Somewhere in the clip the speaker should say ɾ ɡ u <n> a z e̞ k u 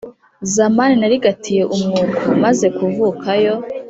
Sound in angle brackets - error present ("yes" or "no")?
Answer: yes